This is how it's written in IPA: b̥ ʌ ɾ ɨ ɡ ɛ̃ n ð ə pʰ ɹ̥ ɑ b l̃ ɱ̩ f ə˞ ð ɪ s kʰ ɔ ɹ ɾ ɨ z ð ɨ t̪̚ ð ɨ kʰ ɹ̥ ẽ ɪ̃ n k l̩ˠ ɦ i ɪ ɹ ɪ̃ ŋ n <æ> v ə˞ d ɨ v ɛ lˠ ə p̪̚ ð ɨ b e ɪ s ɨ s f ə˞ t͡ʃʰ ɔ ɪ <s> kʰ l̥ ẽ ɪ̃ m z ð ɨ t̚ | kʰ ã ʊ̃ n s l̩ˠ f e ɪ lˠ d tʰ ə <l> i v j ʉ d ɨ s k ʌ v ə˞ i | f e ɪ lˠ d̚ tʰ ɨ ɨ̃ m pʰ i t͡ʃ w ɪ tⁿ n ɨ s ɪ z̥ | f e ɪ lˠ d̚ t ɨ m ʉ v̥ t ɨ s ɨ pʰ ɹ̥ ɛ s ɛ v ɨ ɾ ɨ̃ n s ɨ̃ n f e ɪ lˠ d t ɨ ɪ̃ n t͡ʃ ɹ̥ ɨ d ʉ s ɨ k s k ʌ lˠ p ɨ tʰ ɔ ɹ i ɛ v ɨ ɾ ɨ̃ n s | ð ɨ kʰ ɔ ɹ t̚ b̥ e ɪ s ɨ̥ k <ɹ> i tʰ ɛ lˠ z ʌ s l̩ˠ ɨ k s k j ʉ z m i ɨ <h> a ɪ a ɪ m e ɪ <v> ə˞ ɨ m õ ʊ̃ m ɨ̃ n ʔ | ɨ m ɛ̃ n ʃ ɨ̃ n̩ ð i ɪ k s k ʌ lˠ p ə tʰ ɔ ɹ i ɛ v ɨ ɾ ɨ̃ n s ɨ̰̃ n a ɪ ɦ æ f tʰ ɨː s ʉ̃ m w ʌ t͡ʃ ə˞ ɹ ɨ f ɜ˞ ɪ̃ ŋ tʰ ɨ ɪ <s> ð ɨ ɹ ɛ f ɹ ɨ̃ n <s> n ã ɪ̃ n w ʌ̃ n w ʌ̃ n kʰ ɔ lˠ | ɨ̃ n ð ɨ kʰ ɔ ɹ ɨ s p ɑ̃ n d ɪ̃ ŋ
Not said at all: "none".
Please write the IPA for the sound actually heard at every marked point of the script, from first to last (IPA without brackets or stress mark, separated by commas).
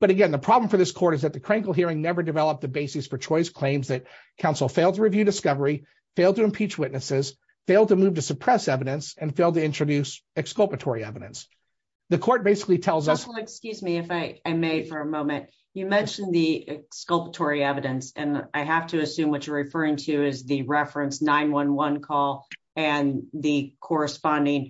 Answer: ɛ, s, ɹ, l, f, f, z, s